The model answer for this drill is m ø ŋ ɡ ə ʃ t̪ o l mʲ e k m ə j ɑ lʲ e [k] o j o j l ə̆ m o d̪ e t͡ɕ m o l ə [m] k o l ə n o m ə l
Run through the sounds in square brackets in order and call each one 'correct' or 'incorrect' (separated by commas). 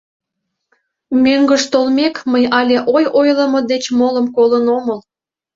incorrect, correct